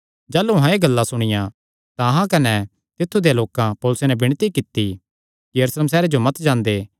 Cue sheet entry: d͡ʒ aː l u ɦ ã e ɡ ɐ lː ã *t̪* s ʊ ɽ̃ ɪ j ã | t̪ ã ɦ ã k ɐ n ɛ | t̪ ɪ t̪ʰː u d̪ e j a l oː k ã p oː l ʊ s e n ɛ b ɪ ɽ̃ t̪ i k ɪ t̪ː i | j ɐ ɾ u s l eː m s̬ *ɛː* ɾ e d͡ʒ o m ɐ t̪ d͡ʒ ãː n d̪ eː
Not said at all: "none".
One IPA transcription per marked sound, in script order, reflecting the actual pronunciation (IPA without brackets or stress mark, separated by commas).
none, ɛː